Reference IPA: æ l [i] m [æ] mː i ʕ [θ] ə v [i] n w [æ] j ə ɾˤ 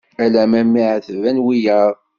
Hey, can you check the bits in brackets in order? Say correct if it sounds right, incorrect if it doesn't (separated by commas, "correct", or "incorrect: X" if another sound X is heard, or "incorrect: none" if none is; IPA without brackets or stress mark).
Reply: incorrect: æ, correct, correct, incorrect: æ, incorrect: i